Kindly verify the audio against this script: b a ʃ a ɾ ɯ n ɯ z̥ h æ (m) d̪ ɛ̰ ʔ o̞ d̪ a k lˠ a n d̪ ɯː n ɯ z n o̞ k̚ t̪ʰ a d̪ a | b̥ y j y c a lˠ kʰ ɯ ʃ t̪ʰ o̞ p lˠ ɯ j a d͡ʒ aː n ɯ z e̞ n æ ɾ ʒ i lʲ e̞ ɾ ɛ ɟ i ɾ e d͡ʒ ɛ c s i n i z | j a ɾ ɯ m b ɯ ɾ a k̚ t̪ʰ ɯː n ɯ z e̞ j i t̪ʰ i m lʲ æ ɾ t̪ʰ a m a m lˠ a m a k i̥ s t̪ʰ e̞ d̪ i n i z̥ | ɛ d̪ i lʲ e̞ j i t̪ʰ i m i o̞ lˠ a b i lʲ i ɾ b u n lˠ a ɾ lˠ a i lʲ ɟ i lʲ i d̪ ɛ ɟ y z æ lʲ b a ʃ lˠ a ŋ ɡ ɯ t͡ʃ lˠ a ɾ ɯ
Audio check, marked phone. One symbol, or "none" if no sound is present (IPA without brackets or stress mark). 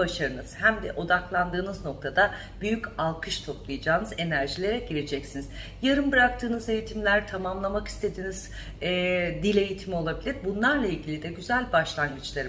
m